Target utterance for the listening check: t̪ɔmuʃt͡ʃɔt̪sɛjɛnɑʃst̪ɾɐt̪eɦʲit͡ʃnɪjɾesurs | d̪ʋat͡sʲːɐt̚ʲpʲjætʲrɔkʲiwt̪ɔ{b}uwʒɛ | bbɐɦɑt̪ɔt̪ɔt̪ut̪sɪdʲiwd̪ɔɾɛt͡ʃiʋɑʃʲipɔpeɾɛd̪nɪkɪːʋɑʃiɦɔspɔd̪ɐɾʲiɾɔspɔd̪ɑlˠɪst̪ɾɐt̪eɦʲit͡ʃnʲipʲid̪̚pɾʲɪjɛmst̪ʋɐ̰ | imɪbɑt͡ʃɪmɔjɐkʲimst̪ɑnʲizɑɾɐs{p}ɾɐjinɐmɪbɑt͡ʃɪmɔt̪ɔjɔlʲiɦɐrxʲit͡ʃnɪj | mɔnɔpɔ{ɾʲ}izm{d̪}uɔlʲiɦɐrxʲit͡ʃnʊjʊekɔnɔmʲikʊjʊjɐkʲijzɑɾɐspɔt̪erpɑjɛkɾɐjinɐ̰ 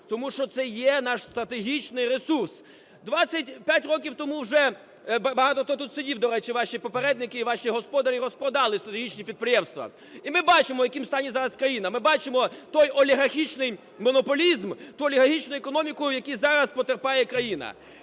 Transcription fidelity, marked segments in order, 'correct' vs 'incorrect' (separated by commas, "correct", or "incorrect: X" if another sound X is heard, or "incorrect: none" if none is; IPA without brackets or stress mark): incorrect: m, incorrect: k, incorrect: lʲ, incorrect: t̪